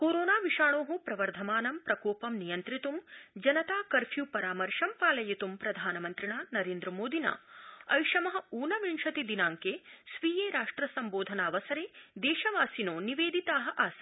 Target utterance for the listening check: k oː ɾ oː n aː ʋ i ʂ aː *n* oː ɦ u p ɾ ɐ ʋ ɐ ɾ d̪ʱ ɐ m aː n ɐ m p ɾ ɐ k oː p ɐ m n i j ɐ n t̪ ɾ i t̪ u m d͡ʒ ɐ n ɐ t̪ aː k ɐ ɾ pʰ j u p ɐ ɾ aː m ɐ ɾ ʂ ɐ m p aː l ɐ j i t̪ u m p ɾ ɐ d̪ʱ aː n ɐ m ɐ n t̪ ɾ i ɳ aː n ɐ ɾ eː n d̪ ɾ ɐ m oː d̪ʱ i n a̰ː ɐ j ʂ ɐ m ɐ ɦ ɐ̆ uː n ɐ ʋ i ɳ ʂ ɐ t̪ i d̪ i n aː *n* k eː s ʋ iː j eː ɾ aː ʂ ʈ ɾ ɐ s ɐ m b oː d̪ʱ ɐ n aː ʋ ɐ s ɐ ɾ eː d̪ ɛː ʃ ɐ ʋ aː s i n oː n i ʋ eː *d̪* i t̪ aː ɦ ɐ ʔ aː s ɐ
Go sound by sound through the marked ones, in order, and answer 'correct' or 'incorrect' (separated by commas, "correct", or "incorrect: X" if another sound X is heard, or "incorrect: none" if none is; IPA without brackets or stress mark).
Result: incorrect: ɳ, incorrect: ŋ, correct